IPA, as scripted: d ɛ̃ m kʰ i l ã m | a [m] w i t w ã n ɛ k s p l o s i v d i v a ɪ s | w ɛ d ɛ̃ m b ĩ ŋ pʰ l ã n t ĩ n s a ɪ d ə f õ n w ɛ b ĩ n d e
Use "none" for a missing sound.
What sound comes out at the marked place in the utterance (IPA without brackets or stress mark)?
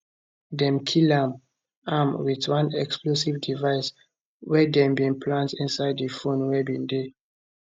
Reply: m